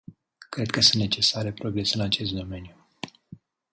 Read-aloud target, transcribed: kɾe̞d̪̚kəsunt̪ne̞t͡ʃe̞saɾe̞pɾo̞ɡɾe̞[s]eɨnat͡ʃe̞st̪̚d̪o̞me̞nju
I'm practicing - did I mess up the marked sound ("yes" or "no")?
no